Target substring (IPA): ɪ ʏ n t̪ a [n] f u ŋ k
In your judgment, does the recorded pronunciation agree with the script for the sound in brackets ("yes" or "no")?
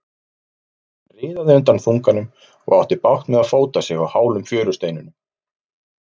yes